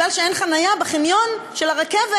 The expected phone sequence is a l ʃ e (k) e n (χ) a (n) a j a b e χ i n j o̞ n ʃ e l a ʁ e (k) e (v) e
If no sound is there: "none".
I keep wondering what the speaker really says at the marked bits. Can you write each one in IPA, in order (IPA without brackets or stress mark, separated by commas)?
none, χ, n, k, v